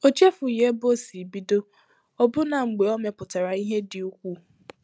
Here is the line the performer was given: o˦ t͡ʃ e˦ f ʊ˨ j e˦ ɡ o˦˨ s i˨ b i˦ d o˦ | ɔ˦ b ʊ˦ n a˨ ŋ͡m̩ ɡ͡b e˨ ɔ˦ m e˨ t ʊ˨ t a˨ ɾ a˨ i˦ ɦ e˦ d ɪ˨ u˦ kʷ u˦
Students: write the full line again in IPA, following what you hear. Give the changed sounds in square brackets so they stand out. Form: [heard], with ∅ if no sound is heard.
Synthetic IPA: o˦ t͡ʃ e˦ f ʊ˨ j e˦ [b] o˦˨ s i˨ b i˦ d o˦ | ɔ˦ b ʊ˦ n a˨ ŋ͡m̩ ɡ͡b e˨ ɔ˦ m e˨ [p] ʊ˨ t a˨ ɾ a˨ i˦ ɦ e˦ d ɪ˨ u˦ kʷ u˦